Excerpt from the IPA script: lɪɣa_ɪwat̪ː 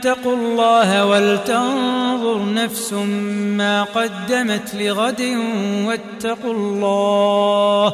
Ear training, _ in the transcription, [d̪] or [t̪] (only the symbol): d̪